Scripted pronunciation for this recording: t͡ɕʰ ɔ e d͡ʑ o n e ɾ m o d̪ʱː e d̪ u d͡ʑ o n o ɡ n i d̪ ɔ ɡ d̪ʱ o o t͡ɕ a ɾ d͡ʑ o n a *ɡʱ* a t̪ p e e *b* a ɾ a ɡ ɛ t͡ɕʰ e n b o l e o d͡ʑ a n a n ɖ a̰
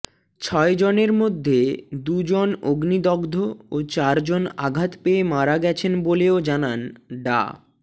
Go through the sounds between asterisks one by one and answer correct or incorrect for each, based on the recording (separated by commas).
correct, incorrect